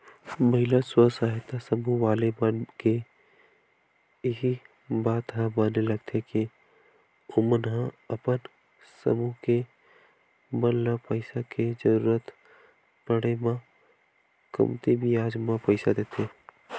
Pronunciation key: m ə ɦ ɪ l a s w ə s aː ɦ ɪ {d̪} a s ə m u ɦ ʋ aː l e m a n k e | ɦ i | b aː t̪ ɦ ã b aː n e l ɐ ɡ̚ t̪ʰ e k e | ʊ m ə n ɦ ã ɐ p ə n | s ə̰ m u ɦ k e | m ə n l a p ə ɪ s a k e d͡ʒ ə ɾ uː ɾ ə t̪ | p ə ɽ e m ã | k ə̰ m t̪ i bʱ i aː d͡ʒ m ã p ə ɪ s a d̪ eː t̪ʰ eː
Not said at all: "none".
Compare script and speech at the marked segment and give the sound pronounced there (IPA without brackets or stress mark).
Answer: t̪